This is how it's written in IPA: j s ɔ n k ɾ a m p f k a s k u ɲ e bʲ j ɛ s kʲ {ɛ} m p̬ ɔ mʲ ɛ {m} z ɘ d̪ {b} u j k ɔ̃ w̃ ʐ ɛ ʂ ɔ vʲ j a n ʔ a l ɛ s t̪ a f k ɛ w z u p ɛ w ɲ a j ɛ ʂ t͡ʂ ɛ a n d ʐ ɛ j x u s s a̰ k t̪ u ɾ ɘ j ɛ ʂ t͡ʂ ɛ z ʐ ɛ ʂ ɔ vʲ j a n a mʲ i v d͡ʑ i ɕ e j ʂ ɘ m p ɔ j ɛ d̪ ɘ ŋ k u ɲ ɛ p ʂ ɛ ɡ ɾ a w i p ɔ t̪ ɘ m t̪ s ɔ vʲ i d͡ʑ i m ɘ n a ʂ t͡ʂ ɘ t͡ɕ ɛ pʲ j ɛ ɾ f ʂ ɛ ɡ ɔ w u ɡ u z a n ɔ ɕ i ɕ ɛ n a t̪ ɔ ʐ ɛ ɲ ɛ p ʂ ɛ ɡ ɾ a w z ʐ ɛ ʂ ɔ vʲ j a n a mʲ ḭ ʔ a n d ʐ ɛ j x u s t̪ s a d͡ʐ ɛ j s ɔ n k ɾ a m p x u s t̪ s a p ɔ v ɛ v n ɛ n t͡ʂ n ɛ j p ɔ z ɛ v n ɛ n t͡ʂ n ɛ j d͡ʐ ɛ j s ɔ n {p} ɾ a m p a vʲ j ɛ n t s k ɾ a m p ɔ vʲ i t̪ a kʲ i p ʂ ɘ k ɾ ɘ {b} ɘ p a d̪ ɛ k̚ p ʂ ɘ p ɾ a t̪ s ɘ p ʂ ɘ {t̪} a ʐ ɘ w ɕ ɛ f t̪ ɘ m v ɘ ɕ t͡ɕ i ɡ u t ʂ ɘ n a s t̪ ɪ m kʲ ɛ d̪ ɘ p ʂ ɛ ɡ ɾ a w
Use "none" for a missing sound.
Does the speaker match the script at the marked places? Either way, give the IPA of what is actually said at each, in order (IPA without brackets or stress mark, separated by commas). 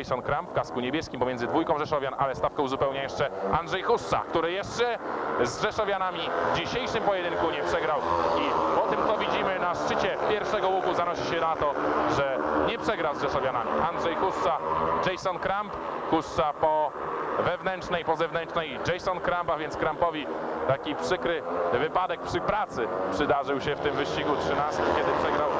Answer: i, n, v, k, v, d̪